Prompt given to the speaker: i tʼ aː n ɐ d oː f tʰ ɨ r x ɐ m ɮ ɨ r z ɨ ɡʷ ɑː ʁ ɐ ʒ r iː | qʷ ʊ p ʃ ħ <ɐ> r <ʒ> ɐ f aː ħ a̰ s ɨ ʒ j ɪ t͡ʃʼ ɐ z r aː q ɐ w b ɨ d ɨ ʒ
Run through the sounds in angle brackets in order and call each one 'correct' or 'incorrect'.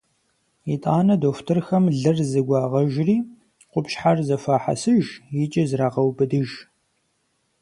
incorrect, incorrect

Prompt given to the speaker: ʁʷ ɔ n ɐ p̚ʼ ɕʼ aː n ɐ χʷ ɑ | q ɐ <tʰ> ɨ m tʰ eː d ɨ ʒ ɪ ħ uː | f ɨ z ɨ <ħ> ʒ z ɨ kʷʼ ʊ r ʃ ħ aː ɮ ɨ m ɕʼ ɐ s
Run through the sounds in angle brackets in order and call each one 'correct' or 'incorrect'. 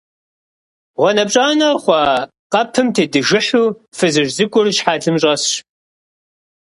incorrect, incorrect

